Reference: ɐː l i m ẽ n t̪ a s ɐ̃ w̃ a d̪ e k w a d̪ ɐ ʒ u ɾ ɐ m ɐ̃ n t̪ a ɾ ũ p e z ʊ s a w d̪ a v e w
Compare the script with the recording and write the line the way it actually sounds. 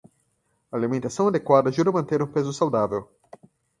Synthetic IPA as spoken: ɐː l i m ẽ n t̪ a s ɐ̃ w̃ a d̪ e k w a d̪ ɐ ʒ u ɾ ɐ m ɐ̃ n t̪ e ɾ ũ p e z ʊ s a w d̪ a v e w